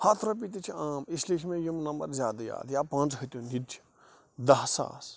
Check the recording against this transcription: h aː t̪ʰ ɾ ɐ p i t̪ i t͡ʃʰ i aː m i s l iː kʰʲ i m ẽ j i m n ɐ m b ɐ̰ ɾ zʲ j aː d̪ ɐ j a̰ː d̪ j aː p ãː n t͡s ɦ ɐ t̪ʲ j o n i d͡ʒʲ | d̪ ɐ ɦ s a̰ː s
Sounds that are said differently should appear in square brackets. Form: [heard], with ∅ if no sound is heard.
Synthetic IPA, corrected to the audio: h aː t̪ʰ ɾ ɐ p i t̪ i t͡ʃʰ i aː m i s l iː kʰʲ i m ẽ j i m n ɐ m b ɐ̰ ɾ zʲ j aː d̪ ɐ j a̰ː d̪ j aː p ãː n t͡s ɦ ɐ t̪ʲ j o n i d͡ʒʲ | d̪ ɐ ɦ s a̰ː s